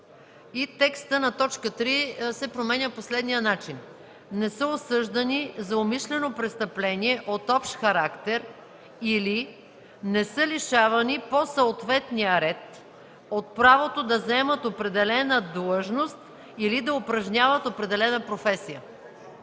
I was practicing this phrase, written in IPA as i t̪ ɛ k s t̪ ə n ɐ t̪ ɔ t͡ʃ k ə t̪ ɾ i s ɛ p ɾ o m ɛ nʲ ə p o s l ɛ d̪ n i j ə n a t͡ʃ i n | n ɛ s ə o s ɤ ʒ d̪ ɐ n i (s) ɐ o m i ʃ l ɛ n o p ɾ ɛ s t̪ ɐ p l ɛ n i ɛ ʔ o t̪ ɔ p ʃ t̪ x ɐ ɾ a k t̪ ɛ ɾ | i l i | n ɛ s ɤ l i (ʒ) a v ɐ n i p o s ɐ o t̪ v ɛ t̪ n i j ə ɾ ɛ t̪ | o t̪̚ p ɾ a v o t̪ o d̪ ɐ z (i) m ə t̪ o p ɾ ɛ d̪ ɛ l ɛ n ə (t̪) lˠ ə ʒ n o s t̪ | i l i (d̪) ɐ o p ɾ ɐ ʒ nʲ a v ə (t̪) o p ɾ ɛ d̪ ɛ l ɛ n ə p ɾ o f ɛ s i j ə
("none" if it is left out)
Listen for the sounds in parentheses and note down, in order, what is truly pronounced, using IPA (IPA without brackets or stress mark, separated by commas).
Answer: z, ʃ, ɛ, d̪, d̪, t̪